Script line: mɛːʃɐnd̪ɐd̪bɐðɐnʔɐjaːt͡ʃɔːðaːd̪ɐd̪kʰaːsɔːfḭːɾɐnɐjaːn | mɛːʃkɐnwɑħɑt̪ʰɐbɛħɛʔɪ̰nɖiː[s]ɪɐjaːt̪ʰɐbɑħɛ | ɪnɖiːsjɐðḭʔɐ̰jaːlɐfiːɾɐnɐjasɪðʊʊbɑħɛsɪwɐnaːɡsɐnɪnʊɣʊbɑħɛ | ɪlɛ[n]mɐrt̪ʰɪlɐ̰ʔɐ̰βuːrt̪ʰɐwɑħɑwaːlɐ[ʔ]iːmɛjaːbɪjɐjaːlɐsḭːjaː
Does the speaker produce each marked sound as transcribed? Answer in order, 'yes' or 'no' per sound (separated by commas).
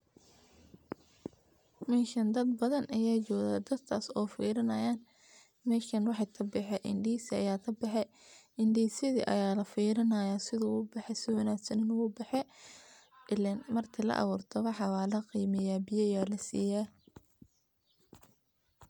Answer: yes, yes, no